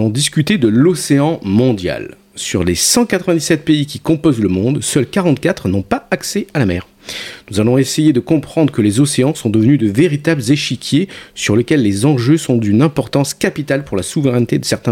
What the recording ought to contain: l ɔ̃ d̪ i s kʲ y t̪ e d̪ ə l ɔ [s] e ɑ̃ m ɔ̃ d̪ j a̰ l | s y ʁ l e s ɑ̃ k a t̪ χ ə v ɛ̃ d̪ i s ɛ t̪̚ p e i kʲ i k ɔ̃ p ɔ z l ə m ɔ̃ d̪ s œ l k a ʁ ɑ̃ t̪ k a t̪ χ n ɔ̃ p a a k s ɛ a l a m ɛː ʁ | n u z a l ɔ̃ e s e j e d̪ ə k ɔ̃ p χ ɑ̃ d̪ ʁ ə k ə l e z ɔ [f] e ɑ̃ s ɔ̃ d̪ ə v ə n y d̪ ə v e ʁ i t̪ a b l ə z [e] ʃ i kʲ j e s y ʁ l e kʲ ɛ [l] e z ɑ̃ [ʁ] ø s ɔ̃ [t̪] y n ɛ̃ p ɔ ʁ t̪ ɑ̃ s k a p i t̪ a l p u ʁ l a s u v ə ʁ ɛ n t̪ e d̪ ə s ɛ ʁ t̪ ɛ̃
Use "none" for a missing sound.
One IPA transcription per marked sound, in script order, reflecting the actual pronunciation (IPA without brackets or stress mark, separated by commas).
s, s, e, lː, ʒ, d̪